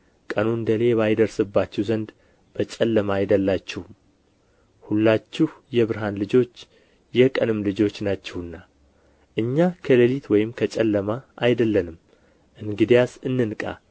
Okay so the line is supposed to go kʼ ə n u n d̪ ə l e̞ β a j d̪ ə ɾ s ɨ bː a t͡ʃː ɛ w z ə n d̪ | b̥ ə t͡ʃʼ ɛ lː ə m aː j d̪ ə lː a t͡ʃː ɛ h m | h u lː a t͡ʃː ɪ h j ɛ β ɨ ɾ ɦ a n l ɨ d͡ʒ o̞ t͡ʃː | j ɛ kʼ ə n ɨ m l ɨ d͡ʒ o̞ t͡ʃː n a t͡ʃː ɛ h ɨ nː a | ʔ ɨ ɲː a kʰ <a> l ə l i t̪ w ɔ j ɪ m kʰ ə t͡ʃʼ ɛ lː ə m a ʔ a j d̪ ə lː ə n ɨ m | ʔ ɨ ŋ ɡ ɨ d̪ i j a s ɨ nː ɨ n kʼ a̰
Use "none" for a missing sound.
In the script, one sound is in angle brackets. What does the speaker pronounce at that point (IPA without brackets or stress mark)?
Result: ə